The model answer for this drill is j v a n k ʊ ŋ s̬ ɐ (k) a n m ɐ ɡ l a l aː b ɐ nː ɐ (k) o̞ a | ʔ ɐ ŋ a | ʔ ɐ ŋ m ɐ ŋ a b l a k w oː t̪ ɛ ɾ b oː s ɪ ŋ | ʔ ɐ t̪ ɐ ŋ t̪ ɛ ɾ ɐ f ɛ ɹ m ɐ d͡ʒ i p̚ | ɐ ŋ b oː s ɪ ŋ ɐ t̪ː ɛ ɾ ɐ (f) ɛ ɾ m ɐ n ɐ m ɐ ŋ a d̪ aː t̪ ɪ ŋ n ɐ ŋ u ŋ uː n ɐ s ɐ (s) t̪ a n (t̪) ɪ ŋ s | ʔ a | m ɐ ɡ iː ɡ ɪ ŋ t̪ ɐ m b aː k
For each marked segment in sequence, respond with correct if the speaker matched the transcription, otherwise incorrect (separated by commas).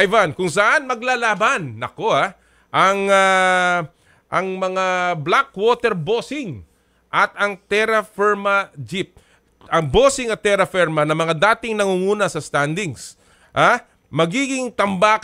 incorrect, correct, correct, correct, incorrect